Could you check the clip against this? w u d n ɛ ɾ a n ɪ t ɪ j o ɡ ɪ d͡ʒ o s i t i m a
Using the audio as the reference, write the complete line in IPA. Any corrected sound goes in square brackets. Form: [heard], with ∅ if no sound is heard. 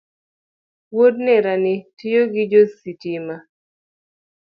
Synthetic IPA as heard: w [o] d n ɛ ɾ a n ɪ t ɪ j o ɡ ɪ d͡ʒ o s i t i m a